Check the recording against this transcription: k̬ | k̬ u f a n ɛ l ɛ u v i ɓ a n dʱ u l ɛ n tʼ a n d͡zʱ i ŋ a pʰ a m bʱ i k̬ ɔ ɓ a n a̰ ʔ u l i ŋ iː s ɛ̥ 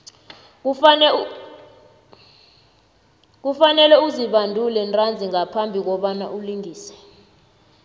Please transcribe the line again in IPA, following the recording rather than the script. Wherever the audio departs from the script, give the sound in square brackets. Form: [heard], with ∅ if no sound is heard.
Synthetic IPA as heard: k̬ | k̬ u f a n ɛ l ɛ u [z] i ɓ a n dʱ u l ɛ n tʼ a n d͡zʱ i ŋ a pʰ a m bʱ i k̬ ɔ ɓ a n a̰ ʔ u l i ŋ iː s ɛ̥